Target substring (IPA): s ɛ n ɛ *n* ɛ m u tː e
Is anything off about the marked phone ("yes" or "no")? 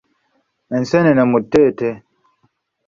no